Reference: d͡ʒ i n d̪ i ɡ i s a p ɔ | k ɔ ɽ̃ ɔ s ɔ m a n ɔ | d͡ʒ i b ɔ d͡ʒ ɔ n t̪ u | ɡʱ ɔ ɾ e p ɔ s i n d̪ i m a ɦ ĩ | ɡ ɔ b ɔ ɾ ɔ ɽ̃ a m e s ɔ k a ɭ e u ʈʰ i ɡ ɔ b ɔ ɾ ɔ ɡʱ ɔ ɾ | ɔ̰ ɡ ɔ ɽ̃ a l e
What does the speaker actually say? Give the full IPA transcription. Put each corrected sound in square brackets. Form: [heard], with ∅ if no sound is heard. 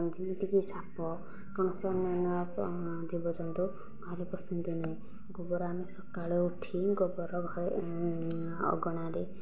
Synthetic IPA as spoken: d͡ʒ i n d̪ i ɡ i s a p ɔ | k ɔ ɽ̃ ɔ s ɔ [n] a n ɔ | d͡ʒ i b ɔ d͡ʒ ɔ n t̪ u | ɡʱ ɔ ɾ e p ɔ s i n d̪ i [n] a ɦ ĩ | ɡ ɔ b ɔ ɾ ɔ [∅] a m e s ɔ k a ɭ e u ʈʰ i ɡ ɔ b ɔ ɾ ɔ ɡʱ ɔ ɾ | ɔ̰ ɡ ɔ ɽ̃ a [ɾ] e